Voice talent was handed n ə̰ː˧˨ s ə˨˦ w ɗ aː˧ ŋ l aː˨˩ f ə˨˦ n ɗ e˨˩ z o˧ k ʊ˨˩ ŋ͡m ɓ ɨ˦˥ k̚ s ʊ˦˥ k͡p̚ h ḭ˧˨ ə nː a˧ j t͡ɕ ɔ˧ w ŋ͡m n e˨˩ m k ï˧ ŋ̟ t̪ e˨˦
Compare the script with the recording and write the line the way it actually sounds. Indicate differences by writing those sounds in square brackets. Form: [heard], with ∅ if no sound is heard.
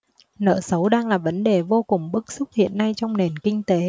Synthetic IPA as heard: n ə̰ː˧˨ s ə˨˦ w ɗ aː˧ ŋ l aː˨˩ [v] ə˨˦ n ɗ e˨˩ [v] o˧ k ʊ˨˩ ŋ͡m ɓ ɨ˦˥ k̚ s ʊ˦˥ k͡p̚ h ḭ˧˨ ə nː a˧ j t͡ɕ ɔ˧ w ŋ͡m n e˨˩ [n] k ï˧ ŋ̟ t̪ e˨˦